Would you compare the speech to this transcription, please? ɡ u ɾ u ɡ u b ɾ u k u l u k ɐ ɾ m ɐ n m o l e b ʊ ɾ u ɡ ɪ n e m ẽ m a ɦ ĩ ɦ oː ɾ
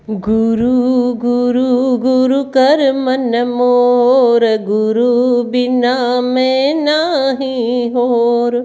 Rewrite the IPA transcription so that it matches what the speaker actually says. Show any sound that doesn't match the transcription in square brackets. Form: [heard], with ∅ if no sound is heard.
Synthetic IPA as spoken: ɡ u ɾ u ɡ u [∅] ɾ u [ɡ] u [ɾ] u k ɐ ɾ m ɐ n m o [ɾ] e [ɡ] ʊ ɾ u [b] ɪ n [a] m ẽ [n] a ɦ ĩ ɦ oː ɾ